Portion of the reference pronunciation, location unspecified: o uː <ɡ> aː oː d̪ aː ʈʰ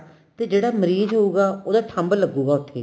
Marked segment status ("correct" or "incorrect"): correct